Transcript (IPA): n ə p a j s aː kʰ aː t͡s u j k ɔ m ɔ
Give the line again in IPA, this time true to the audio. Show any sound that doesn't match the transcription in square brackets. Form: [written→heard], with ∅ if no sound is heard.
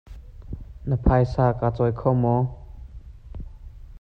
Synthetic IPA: n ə [p→pʰ] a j s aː [kʰ→k] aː t͡s [u→ɔ] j [k→kʰ] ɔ m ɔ